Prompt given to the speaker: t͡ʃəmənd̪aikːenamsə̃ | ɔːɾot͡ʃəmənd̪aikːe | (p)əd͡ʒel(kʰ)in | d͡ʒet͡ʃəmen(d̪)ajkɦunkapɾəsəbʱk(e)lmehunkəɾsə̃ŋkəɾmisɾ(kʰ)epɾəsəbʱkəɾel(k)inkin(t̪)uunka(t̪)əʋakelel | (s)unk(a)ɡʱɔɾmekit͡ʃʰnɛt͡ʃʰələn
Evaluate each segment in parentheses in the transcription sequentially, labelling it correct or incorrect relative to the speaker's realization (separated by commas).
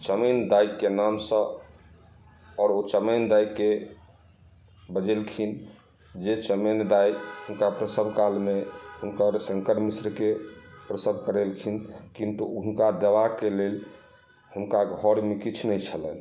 incorrect, correct, correct, incorrect, incorrect, incorrect, correct, incorrect, incorrect, correct